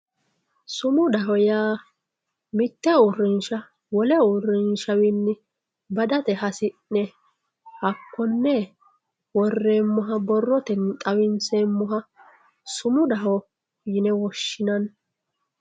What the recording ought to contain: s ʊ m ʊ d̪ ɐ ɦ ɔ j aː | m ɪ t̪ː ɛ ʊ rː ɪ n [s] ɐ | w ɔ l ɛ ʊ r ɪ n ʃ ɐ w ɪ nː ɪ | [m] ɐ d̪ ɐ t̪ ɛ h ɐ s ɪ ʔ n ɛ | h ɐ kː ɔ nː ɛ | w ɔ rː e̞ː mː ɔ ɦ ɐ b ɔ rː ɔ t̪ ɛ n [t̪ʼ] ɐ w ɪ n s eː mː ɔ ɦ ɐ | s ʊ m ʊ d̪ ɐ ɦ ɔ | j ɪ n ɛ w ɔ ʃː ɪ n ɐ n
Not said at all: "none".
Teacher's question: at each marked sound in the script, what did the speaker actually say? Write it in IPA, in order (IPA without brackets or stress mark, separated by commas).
ʃ, b, t̪ʼ